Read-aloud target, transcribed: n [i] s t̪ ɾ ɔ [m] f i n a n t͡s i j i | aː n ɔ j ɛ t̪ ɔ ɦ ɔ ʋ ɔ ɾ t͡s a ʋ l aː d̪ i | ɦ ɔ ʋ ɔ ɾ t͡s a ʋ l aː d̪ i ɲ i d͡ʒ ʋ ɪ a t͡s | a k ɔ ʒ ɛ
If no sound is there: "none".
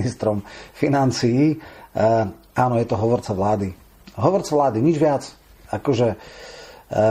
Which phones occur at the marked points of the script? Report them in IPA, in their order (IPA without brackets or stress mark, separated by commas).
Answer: i, m